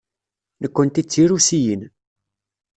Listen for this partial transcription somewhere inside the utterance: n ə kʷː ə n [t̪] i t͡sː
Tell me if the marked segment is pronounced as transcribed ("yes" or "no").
yes